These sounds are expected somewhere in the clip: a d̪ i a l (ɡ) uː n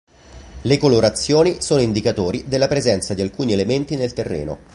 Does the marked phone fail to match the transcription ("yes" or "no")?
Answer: yes